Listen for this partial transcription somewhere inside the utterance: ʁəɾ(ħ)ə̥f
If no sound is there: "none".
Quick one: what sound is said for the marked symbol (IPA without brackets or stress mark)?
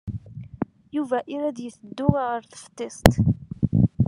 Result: θ